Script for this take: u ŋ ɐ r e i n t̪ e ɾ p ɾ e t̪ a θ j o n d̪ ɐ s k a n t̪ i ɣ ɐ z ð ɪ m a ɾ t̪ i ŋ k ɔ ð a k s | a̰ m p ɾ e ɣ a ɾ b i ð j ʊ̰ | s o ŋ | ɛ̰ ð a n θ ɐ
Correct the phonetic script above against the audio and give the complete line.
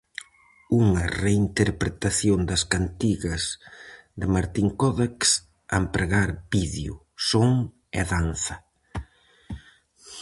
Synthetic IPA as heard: u ŋ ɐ r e i n t̪ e ɾ p ɾ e t̪ a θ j o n d̪ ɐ s k a n t̪ i ɣ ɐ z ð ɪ m a ɾ t̪ i ŋ k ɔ ð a k s | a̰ m p ɾ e ɣ a ɾ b i ð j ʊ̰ | s o ŋ | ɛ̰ ð a n θ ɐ